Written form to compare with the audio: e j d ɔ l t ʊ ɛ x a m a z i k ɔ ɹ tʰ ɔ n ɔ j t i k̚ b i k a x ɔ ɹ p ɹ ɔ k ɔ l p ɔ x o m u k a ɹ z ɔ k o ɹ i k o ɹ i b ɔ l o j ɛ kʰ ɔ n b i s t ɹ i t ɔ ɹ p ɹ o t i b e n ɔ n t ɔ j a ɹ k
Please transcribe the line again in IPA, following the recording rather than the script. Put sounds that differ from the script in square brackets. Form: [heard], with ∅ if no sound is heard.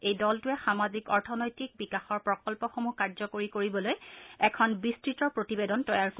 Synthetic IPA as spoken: e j d ɔ l t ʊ ɛ x a m a z i k ɔ ɹ tʰ ɔ n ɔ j t i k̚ b i k a x ɔ ɹ p ɹ ɔ k ɔ l p ɔ x o m u k a ɹ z ɔ k o ɹ i k o ɹ i b ɔ l o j ɛ kʰ ɔ n b i s t ɹ i t ɔ ɹ p ɹ o t i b e [d] ɔ n t ɔ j a ɹ k

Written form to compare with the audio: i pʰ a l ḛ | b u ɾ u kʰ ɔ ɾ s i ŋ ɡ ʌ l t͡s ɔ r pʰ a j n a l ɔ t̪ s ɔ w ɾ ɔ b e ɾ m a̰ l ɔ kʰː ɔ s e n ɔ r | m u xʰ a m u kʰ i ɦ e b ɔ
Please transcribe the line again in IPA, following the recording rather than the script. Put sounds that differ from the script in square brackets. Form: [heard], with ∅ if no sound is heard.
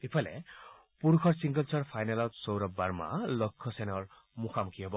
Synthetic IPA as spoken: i pʰ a l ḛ | [p] u ɾ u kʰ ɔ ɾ s i ŋ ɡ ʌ l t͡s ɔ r pʰ a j n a l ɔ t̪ s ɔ w ɾ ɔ b [a] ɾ m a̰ l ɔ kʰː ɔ s e n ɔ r | m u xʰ a m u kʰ i ɦ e b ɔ

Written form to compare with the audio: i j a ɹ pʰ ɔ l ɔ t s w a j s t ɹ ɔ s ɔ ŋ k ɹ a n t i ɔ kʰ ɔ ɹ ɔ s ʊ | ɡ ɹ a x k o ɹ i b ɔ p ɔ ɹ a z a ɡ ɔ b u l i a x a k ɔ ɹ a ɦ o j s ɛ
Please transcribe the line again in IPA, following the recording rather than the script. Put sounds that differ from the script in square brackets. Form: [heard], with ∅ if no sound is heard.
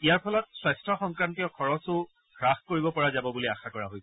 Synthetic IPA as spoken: i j a ɹ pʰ ɔ l ɔ t s w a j s t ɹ ɔ [x] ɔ ŋ k ɹ a n t i ɔ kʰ ɔ ɹ ɔ s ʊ | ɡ ɹ a x k o ɹ i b ɔ p ɔ ɹ a z a [b] ɔ b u l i a x a k ɔ ɹ a ɦ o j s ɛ

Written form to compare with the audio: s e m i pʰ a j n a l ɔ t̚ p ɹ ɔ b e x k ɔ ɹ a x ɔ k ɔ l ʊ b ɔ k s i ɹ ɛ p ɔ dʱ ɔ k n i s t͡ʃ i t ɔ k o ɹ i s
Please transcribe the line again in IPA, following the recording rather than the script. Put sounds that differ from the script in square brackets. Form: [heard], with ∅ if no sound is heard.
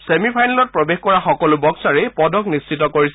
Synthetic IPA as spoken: s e m i pʰ a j n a l ɔ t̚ p ɹ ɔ b e x k ɔ ɹ a x ɔ k ɔ l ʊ b ɔ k s [a] ɹ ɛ p ɔ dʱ ɔ k n i s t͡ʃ i t ɔ k o ɹ i s

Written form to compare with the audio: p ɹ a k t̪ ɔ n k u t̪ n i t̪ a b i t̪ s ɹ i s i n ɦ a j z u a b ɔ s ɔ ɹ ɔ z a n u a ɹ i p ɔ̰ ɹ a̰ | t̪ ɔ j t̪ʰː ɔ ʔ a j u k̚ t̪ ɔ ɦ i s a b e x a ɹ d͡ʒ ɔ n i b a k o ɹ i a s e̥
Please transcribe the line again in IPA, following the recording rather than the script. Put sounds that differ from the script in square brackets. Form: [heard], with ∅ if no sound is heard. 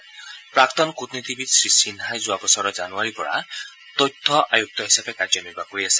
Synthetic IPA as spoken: p ɹ a k t̪ ɔ n k u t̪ n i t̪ [i] b i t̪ s ɹ i s i n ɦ a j z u a b ɔ s ɔ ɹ ɔ z a n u a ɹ i p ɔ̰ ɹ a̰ | t̪ ɔ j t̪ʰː ɔ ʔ a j u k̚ t̪ ɔ ɦ i s a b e [k] a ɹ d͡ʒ ɔ n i b a k o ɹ i a s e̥

